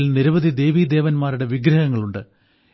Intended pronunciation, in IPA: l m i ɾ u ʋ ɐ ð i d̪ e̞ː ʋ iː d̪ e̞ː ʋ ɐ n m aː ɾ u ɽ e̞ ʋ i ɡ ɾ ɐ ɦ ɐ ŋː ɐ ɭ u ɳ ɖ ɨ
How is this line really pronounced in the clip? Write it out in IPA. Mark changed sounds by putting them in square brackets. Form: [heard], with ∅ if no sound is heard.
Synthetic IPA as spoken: l [n] i ɾ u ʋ ɐ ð i d̪ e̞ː ʋ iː d̪ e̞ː ʋ ɐ n m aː ɾ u ɽ e̞ ʋ i ɡ ɾ ɐ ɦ ɐ ŋː ɐ ɭ u ɳ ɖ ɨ